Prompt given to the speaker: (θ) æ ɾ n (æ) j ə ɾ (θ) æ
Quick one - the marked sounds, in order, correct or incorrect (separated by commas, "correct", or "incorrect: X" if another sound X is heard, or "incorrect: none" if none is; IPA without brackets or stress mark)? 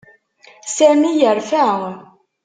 incorrect: s, incorrect: i, incorrect: f